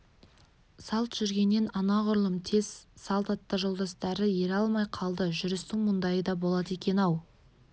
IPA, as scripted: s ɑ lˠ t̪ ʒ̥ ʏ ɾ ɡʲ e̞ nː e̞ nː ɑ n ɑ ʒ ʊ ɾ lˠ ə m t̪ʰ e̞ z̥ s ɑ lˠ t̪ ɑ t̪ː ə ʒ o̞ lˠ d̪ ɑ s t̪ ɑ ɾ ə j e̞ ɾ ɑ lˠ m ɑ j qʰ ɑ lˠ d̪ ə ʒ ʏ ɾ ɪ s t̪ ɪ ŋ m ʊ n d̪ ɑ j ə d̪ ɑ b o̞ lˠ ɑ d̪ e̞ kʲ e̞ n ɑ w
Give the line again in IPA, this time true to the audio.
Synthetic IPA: s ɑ lˠ t̪ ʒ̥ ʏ ɾ ɡʲ e̞ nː e̞ n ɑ n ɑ ʁ ʊ ɾ lˠ ə m t̪ʰ e̞ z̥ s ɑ lˠ t̪ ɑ t̪ː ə ʒ o̞ lˠ d̪ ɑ s t̪ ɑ ɾ ə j e̞ ɾ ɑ lˠ m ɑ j qʰ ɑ lˠ d̪ ə ʒ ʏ ɾ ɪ s t̪ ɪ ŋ m ʊ n d̪ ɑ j ə d̪ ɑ b o̞ lˠ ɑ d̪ e̞ kʲ e̞ n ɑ w